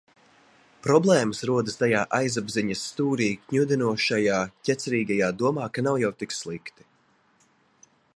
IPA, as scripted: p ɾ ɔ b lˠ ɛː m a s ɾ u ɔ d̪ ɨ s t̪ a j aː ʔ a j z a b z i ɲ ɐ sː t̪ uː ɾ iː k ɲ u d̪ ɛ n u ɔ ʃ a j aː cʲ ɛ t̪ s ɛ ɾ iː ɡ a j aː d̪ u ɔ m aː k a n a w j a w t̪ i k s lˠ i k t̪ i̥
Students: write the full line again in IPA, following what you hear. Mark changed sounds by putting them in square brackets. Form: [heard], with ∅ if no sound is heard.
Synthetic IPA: p ɾ ɔ b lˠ ɛː m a s ɾ u ɔ d̪ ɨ s t̪ a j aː ʔ a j z a b z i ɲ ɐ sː t̪ uː ɾ iː k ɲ u d̪ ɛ n u ɔ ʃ a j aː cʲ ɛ t̪ s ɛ ɾ iː ɡ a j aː d̪ u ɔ m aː k a n a w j a w t̪ i k s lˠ i k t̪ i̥

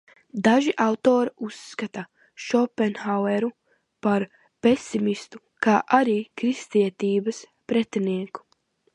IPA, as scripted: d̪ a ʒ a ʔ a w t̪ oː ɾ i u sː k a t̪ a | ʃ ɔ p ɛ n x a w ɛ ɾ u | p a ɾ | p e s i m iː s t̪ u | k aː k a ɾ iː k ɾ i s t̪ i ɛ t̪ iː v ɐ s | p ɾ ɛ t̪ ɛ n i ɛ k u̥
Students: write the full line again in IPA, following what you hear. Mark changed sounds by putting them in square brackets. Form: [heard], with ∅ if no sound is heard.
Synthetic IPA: d̪ a ʒ [i] ʔ a w t̪ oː ɾ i u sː k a t̪ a | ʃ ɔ p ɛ n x a w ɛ ɾ u | p a ɾ | p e s i m [i] s t̪ u | k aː [ʔ] a ɾ iː k ɾ i s t̪ i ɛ t̪ iː [b] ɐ s | p ɾ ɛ t̪ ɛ n i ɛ k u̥

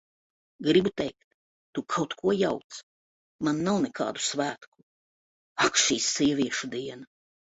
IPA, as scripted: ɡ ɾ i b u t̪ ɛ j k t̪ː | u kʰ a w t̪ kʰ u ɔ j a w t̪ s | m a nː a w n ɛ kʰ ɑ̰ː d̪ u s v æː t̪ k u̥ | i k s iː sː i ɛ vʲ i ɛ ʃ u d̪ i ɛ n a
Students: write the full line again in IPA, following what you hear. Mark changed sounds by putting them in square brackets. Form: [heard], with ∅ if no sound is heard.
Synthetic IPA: ɡ ɾ i b u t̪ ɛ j k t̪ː | u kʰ a w t̪ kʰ u ɔ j a w t̪ s | m a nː a w n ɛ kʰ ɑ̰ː d̪ u s v æː t̪ k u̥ | [a] k [ʃ] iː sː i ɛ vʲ i ɛ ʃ u d̪ i ɛ n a

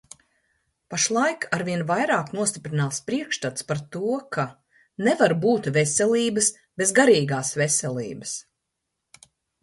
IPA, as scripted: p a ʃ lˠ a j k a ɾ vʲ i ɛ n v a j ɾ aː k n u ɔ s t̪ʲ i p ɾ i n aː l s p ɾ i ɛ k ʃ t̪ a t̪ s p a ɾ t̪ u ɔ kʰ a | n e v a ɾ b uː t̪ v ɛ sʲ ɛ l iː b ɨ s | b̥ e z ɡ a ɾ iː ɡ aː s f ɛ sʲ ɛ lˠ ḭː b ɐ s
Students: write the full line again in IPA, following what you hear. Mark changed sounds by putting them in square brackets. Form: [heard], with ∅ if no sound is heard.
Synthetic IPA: p a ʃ lˠ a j k a ɾ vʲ i ɛ n v a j ɾ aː k n u ɔ s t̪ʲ i p ɾ i n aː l s p ɾ i ɛ k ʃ t̪ a t̪ s p a ɾ t̪ u ɔ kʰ a | n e v a ɾ b uː t̪ v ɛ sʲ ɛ l iː b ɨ s | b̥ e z ɡ a ɾ iː ɡ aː s [v] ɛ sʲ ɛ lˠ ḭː b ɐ s

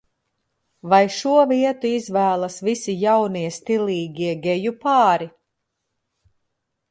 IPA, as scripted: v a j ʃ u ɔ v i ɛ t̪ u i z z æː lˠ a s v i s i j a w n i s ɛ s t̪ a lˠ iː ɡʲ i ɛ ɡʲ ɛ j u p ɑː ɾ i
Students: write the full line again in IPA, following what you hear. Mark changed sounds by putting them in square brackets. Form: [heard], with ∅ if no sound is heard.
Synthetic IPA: v a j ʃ u ɔ v i ɛ t̪ u i z [v] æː lˠ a s v i s i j a w n i [∅] ɛ s t̪ [i] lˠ iː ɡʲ i ɛ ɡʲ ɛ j u p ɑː ɾ i

